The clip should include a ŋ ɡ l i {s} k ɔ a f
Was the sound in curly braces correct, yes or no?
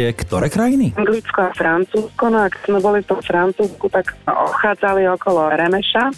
no